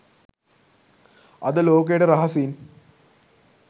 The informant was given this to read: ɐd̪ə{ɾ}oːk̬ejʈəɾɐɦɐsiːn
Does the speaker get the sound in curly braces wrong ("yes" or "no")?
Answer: yes